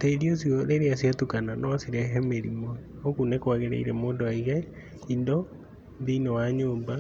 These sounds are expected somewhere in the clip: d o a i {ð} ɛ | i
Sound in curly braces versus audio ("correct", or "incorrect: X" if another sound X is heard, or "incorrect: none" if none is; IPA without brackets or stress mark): incorrect: ɣ